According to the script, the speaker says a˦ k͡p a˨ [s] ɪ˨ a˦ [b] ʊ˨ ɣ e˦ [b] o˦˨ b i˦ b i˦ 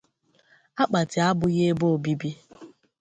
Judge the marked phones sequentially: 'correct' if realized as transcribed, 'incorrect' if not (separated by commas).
incorrect, correct, correct